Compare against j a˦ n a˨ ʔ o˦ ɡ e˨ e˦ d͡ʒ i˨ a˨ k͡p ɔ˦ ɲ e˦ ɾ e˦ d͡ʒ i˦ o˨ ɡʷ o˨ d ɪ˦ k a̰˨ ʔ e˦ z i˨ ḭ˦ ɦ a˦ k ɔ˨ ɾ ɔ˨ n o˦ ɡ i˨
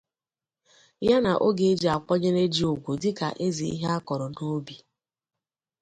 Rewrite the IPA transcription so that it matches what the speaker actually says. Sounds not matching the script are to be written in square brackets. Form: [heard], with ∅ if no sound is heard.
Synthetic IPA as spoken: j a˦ n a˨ ʔ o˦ ɡ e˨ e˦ d͡ʒ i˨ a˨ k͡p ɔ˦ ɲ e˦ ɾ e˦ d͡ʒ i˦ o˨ ɡʷ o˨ d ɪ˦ k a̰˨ ʔ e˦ z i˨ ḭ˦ ɦ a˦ k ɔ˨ ɾ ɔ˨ n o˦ [b] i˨